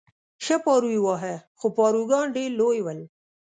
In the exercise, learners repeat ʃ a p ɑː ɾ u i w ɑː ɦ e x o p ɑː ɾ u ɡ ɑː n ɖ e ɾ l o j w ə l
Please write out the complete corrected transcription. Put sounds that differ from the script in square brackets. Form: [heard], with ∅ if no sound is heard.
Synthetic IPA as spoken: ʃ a p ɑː ɾ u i w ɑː ɦ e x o p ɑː ɾ u ɡ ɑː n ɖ e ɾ l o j w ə l